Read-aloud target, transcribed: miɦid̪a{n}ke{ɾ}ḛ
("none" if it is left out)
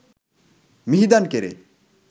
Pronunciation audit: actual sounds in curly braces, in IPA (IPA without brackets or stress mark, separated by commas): n, ɾ